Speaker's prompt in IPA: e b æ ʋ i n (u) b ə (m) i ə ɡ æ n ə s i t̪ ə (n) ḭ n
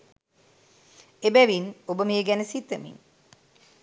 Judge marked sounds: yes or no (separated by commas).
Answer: no, yes, no